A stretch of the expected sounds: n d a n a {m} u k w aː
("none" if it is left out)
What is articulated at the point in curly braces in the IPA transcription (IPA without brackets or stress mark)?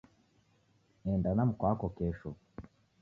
m